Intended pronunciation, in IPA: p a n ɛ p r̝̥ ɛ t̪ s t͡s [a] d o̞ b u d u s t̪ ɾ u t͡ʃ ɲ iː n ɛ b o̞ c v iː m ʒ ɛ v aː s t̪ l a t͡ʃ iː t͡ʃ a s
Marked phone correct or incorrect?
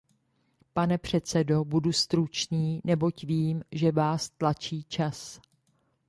incorrect: ɛ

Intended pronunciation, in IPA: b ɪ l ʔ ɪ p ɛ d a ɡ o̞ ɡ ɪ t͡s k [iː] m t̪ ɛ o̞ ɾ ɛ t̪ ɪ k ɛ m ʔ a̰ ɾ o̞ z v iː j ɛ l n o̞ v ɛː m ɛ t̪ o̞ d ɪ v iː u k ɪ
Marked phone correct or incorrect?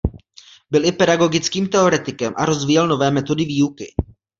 correct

